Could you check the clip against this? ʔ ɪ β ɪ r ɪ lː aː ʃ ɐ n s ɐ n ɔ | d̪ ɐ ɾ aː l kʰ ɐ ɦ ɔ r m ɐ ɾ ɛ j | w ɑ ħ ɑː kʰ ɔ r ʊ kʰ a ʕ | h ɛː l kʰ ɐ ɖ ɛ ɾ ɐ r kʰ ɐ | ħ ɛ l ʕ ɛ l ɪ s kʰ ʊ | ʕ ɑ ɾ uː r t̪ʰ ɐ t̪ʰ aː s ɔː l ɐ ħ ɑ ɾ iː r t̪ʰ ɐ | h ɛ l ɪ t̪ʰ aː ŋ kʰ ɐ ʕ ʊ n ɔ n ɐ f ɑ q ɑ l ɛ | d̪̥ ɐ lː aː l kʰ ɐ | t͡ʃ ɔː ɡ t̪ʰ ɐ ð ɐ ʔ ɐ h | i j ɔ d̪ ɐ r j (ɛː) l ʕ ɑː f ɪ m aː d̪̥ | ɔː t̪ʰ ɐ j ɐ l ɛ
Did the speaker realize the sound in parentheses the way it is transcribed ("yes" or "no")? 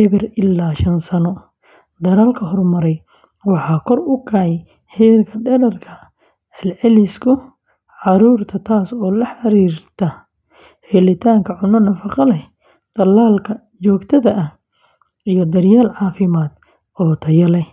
no